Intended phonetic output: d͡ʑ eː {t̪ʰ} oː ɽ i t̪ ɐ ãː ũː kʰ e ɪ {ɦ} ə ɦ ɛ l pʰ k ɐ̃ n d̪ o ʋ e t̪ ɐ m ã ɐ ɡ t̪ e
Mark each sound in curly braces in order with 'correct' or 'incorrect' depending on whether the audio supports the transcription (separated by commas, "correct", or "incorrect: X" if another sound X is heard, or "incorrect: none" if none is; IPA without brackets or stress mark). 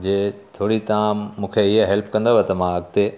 correct, correct